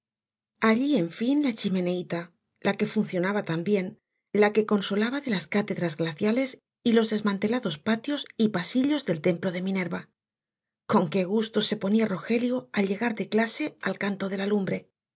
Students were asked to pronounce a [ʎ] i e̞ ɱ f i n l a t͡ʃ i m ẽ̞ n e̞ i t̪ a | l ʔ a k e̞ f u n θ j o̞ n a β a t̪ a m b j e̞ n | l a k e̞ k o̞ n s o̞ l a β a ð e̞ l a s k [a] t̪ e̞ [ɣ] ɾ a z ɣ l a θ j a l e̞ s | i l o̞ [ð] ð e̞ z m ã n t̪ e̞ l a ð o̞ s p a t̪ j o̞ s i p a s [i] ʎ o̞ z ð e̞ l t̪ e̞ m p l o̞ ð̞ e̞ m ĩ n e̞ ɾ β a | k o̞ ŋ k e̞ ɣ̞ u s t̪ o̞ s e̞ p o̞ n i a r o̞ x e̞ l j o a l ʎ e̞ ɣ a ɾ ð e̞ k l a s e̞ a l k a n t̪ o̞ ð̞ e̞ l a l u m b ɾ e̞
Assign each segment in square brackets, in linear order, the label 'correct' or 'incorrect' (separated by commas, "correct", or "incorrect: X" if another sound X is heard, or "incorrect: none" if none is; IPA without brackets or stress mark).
correct, correct, incorrect: ð, incorrect: z, correct